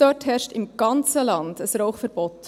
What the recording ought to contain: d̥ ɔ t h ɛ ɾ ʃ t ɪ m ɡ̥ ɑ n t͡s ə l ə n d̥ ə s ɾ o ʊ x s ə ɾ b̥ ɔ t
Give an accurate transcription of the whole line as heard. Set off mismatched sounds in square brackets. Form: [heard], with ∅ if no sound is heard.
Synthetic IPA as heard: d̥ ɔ t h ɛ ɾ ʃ t ɪ m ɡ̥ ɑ n t͡s ə l [ɑ] n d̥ ə s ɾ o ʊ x [f] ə ɾ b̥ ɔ t